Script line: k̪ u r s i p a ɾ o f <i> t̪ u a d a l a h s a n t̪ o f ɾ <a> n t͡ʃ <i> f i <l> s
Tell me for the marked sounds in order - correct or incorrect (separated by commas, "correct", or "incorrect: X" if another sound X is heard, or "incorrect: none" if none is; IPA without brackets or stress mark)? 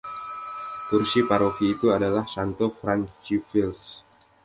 incorrect: iː, correct, correct, correct